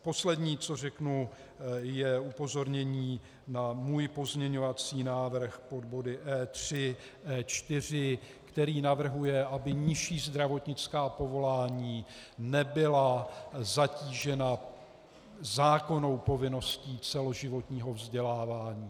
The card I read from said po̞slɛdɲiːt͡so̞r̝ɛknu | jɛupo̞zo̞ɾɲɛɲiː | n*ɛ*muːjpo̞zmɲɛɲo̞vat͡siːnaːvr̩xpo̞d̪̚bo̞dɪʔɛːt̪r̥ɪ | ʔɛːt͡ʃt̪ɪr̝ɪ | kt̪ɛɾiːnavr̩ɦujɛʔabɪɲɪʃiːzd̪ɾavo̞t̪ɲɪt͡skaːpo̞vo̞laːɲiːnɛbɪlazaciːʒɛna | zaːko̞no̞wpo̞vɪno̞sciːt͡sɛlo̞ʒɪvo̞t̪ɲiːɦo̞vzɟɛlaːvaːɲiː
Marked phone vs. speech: incorrect: a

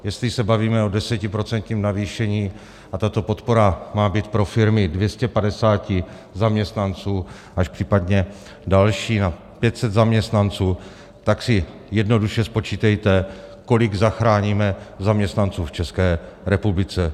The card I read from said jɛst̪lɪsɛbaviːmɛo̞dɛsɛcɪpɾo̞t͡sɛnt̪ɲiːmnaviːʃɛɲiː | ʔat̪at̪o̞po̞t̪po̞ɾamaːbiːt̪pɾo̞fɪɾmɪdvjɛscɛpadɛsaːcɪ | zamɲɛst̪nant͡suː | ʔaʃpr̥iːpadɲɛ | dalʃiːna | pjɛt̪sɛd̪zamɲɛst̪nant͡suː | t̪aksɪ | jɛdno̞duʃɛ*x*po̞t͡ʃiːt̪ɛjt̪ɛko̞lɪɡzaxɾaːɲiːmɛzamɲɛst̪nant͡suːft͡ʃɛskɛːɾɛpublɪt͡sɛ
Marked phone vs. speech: incorrect: s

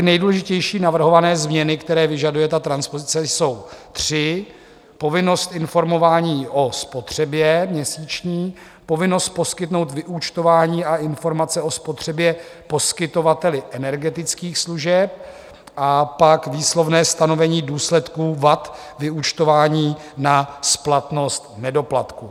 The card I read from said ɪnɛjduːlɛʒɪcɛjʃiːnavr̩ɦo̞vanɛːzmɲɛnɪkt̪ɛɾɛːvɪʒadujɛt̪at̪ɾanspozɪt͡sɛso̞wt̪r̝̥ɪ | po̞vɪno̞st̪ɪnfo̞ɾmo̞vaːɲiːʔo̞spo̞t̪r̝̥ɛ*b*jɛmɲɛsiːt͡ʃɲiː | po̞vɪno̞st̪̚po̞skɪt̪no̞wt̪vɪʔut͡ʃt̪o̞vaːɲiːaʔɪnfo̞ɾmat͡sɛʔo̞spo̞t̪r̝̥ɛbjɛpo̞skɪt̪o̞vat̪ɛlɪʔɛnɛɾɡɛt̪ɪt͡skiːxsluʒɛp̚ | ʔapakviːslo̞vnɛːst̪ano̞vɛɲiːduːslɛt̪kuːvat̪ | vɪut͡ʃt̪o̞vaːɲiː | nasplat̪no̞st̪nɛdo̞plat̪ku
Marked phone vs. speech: correct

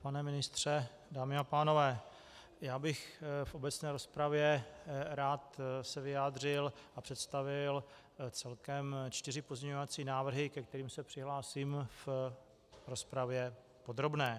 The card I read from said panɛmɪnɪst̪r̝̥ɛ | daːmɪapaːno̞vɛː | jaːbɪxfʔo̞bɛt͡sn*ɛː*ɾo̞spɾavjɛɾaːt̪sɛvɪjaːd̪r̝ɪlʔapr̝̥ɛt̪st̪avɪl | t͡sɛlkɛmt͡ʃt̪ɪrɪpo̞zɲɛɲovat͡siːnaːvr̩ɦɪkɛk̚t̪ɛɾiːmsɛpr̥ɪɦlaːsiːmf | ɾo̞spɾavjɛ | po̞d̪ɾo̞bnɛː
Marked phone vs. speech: correct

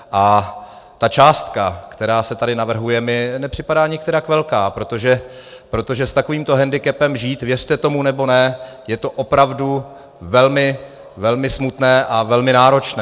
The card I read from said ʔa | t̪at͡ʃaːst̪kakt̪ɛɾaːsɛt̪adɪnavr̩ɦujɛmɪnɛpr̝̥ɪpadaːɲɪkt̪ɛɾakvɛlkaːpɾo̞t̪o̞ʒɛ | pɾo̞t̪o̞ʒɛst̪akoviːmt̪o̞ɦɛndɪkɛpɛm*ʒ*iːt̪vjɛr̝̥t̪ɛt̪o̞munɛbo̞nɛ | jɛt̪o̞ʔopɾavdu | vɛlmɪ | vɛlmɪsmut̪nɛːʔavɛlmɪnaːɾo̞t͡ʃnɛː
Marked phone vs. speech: correct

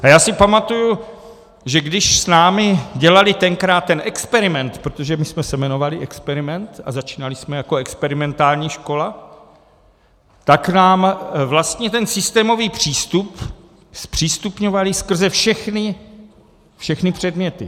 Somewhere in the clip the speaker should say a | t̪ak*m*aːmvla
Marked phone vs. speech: incorrect: n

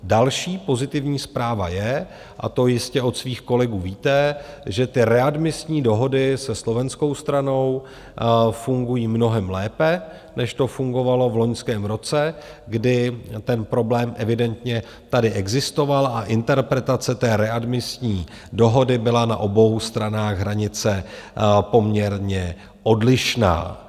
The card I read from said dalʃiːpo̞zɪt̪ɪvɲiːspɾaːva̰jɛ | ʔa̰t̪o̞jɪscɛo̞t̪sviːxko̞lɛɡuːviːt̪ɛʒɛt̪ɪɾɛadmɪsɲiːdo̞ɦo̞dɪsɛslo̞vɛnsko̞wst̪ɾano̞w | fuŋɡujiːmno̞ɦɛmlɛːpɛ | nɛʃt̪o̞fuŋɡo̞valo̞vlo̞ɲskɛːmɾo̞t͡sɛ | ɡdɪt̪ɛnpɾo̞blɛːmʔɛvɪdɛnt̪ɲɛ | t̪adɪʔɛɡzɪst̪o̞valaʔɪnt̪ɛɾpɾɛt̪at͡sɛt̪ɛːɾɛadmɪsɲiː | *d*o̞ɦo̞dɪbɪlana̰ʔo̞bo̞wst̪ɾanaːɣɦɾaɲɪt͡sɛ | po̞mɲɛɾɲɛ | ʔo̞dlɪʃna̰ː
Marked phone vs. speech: correct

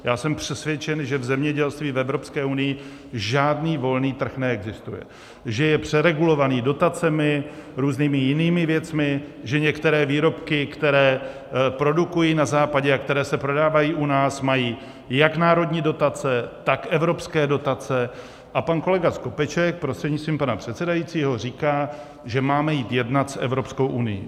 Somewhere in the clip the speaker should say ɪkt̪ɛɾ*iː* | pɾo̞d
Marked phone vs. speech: incorrect: ɛː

